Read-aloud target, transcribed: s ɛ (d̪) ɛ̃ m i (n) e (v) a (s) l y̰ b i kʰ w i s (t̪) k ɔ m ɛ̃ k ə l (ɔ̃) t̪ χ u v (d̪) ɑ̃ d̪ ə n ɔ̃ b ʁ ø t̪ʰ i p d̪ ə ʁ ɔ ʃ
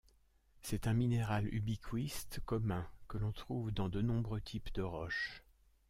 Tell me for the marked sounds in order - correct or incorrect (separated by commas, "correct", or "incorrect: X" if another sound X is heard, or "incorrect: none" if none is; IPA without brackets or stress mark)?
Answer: incorrect: t̪, correct, incorrect: ʁ, incorrect: none, correct, correct, correct